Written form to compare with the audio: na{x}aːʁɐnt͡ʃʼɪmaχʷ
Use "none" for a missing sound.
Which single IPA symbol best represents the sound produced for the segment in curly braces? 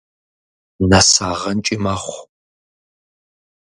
s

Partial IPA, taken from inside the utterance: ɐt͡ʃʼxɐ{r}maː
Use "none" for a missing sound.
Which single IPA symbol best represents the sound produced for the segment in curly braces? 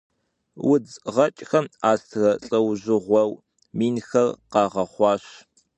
none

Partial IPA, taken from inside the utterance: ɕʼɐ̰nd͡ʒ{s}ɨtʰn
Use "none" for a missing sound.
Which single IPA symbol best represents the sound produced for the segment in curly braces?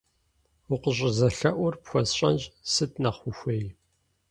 s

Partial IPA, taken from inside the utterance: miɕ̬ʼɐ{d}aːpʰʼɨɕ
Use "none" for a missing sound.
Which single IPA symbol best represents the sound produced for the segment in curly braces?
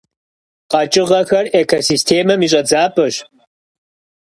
d͡z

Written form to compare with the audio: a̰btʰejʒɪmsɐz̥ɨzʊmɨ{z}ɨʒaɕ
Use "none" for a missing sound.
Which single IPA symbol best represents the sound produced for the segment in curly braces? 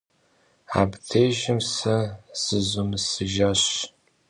s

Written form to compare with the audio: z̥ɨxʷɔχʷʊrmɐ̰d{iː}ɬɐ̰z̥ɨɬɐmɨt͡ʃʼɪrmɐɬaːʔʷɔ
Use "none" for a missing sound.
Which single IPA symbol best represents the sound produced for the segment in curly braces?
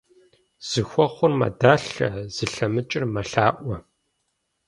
aː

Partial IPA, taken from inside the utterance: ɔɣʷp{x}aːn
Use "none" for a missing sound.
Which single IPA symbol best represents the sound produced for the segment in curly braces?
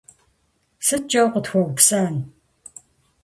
s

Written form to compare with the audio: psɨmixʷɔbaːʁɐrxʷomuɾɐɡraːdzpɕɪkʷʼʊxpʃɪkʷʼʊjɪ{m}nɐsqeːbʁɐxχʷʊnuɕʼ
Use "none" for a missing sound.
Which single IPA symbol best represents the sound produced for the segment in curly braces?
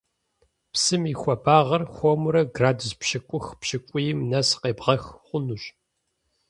m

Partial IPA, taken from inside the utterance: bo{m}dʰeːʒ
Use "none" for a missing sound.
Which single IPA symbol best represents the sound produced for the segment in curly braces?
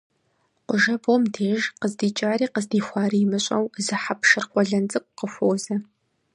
m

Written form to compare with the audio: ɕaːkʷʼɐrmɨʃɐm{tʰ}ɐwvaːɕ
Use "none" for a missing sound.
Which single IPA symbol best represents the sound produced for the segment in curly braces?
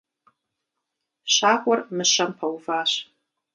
pʰ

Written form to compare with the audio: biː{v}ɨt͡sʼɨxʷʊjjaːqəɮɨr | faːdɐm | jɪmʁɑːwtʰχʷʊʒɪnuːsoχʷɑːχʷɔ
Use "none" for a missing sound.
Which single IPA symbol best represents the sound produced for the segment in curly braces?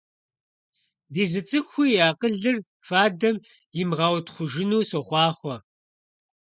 z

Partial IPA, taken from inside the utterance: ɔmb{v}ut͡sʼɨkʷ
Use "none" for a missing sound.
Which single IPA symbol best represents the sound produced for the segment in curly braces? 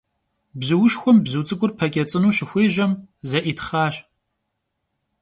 z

